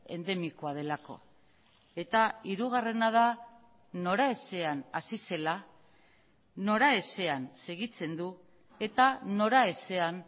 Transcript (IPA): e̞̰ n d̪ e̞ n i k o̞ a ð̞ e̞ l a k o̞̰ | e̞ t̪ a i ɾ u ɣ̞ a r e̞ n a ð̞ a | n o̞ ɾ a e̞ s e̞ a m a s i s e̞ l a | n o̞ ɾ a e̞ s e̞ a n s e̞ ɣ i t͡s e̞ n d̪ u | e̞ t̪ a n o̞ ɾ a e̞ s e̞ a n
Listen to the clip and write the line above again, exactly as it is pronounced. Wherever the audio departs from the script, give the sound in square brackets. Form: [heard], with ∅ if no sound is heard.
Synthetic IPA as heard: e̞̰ n d̪ e̞ [m] i k o̞ a ð̞ e̞ l a k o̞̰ | e̞ t̪ a i ɾ u ɣ̞ a r e̞ n a ð̞ a | n o̞ ɾ a e̞ s e̞ a [n] a s i s e̞ l a | n o̞ ɾ a e̞ s e̞ a n s e̞ ɣ i t͡s e̞ n d̪ u | e̞ t̪ a n o̞ ɾ a e̞ s e̞ a n